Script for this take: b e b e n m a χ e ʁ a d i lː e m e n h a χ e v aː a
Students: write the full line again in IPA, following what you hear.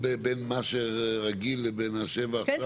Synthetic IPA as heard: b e b e n m a ʃ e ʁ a ɡ i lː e b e n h a ʃ e v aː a